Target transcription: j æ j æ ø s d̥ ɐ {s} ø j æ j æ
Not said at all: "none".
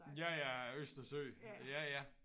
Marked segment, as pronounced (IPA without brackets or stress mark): s